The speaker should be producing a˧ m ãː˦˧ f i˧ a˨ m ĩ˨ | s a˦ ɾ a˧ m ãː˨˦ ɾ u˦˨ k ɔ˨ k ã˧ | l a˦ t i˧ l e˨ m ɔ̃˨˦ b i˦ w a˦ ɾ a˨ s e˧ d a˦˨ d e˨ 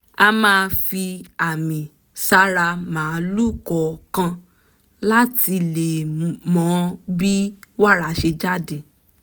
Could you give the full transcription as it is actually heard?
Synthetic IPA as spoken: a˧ m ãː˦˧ f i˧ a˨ m ĩ˨ | s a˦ ɾ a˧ m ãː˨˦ l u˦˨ k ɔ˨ k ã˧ | l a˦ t i˧ l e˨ m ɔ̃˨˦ b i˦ w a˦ ɾ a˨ ʃ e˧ d͡ʒ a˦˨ d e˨